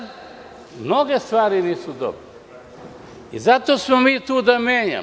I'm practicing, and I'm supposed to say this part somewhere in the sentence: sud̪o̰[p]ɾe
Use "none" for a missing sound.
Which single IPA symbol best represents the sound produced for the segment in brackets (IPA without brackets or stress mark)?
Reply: b